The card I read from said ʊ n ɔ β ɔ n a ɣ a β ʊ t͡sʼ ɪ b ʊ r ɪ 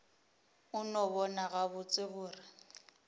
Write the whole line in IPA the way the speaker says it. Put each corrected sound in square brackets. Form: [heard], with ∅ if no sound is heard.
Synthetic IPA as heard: ʊ n ɔ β ɔ n a ɣ a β ʊ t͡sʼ ɪ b [ʊː] r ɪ